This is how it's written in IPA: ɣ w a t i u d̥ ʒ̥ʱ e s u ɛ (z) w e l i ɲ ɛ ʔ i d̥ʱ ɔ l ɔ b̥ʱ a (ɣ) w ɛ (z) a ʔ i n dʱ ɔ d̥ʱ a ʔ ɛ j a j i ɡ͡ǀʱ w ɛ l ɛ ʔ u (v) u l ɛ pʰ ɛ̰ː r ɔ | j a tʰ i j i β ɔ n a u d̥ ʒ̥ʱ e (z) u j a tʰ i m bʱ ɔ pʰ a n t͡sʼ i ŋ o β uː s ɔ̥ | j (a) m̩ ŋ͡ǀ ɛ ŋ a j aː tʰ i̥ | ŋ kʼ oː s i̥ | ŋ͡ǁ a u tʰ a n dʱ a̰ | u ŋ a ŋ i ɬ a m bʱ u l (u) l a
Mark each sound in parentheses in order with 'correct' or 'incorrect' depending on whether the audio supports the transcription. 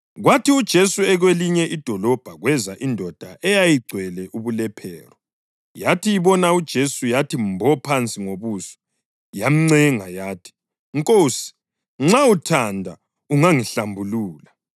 incorrect: ɣ, correct, correct, incorrect: β, incorrect: s, correct, incorrect: uː

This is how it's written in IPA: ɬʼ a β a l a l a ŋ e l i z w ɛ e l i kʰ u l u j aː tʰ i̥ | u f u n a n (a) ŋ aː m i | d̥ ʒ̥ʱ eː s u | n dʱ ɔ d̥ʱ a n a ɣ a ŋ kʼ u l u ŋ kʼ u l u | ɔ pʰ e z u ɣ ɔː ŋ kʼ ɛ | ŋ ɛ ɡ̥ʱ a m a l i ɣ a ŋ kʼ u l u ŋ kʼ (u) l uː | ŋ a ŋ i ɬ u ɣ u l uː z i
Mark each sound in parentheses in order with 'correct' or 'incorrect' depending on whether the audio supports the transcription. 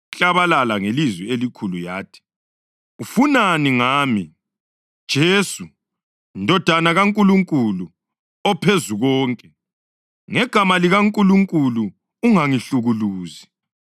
incorrect: i, correct

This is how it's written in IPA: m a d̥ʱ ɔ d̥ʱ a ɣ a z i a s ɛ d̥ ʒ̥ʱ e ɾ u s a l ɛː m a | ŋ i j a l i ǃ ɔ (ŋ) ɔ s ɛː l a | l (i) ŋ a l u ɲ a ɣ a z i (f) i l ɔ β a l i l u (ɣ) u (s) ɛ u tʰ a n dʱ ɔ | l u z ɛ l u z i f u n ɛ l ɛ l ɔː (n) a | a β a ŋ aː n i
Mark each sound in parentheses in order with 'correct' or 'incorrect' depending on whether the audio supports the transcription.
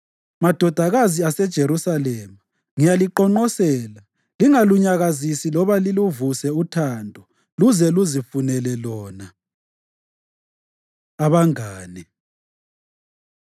incorrect: ŋ͡ǃ, correct, incorrect: s, incorrect: v, correct, correct

